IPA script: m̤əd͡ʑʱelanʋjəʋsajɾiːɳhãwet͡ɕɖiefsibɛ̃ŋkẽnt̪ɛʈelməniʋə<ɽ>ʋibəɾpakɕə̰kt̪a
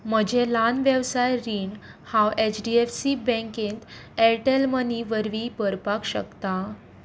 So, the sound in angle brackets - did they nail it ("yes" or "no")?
no